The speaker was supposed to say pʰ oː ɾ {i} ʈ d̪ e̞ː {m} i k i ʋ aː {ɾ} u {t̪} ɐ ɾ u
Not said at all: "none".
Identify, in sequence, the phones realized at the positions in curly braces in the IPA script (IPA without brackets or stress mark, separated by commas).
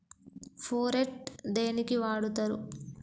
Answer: e, n, ɽ, t̪